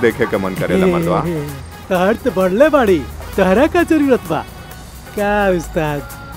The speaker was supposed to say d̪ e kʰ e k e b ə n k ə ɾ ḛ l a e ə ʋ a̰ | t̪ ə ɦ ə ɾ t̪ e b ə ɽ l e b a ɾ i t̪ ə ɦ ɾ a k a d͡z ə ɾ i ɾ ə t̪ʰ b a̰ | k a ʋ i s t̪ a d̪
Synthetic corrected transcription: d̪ e kʰ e k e m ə n k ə ɾ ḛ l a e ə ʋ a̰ | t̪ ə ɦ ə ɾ t̪ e b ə ɽ l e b a ɽ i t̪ ə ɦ ɾ a k a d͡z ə ɾ i ɾ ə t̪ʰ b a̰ | k a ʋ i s t̪ a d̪

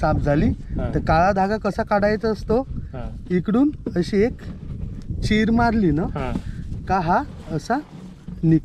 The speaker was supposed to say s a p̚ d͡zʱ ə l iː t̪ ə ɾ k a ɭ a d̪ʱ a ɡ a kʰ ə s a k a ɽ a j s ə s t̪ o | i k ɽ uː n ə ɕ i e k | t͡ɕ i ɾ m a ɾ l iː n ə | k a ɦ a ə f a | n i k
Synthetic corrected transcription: s a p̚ d͡zʱ a l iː t̪ ə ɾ k a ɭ a d̪ʱ a ɡ a k ə s a k a ɽ a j t͡s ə s t̪ o | i k ɽ uː n ə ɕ i e k | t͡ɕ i ɾ m a ɾ l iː n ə | k a ɦ a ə s a | n i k

